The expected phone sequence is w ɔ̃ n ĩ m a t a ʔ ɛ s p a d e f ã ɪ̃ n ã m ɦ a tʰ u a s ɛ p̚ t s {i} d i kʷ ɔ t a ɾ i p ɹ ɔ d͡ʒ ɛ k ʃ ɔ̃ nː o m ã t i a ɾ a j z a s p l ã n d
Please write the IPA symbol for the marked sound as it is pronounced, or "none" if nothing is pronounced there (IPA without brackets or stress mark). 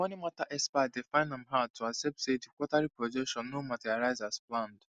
e